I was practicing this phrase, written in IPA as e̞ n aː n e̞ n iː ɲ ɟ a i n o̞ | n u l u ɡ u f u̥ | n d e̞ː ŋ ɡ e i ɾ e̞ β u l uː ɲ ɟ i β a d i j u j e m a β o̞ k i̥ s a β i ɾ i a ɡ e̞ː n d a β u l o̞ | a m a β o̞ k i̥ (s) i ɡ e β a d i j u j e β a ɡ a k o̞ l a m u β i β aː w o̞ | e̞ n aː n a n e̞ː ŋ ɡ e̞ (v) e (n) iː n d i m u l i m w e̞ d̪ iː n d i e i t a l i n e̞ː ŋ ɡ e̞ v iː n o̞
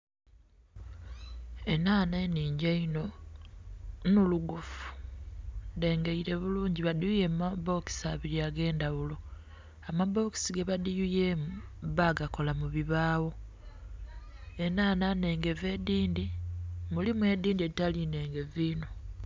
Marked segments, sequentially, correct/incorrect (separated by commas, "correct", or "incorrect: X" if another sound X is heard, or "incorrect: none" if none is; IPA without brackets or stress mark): correct, correct, incorrect: d